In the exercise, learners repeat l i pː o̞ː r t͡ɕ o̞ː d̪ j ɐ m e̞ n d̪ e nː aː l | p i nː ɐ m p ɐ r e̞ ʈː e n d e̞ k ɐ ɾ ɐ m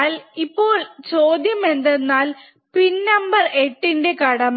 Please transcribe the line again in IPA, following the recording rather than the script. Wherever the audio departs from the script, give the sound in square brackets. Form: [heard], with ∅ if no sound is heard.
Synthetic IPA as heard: l i pː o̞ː [ɭ] t͡ɕ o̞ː d̪ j ɐ m e̞ n d̪ e nː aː l | p i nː ɐ m [b] ɐ r e̞ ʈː [i] n d e̞ k ɐ [ɽ] ɐ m

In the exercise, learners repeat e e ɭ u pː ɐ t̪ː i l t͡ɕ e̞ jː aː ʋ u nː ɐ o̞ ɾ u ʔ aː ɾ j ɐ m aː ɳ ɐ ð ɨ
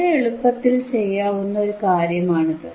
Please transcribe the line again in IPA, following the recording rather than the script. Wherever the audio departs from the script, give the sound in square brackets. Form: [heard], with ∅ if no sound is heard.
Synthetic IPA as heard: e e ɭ u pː ɐ t̪ː i l t͡ɕ e̞ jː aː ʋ u nː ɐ o̞ ɾ u [k] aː ɾ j ɐ m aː ɳ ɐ ð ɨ

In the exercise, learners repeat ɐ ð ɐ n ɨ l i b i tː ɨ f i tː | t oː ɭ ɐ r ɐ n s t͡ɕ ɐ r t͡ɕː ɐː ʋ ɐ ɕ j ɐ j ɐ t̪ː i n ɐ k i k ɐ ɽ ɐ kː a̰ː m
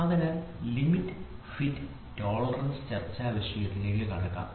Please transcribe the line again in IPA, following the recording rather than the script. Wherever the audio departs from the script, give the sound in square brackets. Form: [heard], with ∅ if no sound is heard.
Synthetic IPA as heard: ɐ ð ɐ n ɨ l i [m] i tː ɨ f i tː | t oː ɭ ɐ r ɐ n s t͡ɕ ɐ r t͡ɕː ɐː ʋ ɐ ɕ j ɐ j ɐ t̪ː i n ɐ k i k ɐ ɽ ɐ kː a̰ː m

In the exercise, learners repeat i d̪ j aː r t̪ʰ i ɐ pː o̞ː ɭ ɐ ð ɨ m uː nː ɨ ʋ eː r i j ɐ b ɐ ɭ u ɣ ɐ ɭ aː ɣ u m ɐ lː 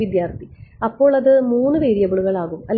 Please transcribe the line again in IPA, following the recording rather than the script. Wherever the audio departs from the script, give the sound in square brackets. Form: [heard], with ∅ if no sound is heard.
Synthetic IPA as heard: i d̪ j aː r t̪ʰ i ɐ pː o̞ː ɭ ɐ ð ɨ m uː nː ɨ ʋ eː [ɾ] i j ɐ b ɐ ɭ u ɣ ɐ ɭ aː ɣ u m ɐ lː

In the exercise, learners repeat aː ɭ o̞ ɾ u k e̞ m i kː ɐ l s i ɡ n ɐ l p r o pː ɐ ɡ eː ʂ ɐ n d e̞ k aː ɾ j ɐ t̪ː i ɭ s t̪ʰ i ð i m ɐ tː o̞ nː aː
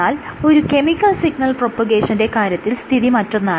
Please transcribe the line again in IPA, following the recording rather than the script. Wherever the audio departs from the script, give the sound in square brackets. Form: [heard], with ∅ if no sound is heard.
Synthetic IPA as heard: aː [l] o̞ ɾ u k e̞ m i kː ɐ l s i ɡ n ɐ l p r o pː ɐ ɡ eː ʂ ɐ n d e̞ k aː ɾ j ɐ t̪ː i [l] s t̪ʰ i ð i m ɐ tː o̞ nː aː

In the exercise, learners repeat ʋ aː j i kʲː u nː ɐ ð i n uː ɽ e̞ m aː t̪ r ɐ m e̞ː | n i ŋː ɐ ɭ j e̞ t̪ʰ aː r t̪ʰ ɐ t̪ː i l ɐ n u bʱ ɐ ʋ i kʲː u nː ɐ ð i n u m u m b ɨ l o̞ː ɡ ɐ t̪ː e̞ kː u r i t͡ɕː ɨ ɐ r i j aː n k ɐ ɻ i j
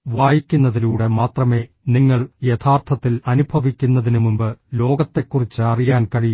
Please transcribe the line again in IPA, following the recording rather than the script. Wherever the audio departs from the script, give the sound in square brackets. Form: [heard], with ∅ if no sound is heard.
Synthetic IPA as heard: ʋ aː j i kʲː u nː ɐ ð i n uː ɽ e̞ m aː t̪ r ɐ m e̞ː | n i ŋː ɐ ɭ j e̞ t̪ʰ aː r t̪ʰ ɐ t̪ː i l ɐ n u bʱ ɐ ʋ i kʲː u nː ɐ ð i n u m u m b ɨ l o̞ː ɡ ɐ t̪ː e̞ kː u r i t͡ɕː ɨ ɐ r i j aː n k ɐ ɻ i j

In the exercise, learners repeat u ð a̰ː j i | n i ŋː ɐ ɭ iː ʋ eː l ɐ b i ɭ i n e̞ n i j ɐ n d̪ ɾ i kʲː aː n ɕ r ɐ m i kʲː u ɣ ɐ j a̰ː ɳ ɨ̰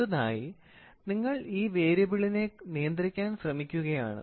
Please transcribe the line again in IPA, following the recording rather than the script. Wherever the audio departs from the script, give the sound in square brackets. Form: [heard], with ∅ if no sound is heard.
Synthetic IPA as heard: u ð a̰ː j i | n i ŋː ɐ ɭ iː ʋ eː [ɾ] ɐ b i ɭ i n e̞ n i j ɐ n d̪ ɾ i kʲː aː n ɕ r ɐ m i kʲː u ɣ ɐ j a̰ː ɳ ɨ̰

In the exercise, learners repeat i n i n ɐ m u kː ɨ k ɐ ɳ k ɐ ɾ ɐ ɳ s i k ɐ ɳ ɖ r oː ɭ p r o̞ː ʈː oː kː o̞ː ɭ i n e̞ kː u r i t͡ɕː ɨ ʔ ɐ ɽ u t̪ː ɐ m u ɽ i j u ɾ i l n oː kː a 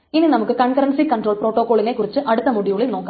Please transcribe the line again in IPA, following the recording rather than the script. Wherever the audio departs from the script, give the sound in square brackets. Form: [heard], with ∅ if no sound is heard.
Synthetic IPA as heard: i n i n ɐ m u kː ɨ k ɐ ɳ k ɐ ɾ ɐ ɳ s i k ɐ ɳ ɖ r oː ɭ p r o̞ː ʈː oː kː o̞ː ɭ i n e̞ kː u r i t͡ɕː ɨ ʔ ɐ ɽ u t̪ː ɐ m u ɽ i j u [ɭ] i l n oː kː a

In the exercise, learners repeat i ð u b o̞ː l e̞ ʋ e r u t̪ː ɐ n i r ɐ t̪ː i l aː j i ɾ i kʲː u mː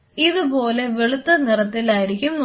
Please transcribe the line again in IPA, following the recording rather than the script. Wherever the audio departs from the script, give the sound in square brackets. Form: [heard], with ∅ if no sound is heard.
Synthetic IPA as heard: i ð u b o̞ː l e̞ ʋ e [ɭ] u t̪ː ɐ n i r ɐ t̪ː i l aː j i ɾ i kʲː u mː

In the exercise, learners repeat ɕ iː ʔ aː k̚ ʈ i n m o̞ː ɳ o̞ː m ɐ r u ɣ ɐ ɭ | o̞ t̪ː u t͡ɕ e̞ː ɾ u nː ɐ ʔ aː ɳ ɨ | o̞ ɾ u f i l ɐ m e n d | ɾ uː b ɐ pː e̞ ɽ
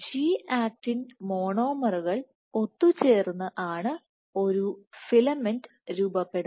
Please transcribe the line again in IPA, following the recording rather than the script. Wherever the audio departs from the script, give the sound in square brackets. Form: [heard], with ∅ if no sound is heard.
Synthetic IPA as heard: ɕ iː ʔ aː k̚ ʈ i n m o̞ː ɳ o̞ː m ɐ r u ɣ ɐ ɭ | o̞ t̪ː u t͡ɕ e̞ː [r] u nː ɐ ʔ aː ɳ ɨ | o̞ ɾ u f i l ɐ m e n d | ɾ uː b ɐ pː e̞ ɽ

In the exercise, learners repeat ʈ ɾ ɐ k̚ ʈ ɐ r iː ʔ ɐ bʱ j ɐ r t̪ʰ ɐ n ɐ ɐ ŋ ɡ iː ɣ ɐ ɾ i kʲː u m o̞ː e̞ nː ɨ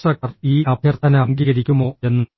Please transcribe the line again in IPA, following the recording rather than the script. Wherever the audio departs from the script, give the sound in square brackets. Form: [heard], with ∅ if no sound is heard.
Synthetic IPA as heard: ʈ [r] ɐ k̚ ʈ ɐ r iː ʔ ɐ bʱ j ɐ r t̪ʰ ɐ n ɐ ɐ ŋ ɡ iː ɣ ɐ ɾ i kʲː u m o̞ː e̞ nː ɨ

